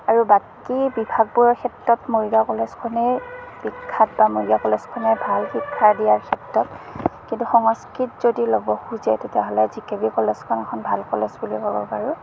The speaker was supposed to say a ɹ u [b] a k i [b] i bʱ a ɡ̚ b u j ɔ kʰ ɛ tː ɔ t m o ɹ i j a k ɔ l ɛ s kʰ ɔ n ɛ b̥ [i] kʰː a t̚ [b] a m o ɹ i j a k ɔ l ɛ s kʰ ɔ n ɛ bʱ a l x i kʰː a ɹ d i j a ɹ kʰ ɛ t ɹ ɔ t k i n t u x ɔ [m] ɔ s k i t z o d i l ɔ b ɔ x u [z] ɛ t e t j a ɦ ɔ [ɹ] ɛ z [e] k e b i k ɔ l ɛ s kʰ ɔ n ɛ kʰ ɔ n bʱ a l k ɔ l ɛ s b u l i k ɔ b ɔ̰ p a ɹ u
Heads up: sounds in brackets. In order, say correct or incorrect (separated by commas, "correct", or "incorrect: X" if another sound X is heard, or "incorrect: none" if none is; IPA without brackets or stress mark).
correct, correct, correct, correct, incorrect: ŋ, correct, incorrect: l, incorrect: i